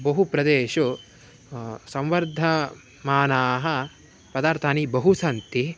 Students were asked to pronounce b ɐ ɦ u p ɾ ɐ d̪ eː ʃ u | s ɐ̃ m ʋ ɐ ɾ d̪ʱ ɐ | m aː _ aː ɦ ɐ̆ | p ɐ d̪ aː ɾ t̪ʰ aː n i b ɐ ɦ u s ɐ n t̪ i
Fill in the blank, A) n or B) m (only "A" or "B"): A